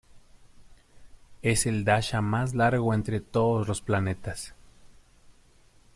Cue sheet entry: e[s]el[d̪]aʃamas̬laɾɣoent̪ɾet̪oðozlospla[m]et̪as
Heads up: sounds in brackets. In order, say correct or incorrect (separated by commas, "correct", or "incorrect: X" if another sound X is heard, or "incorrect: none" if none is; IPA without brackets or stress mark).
correct, correct, incorrect: n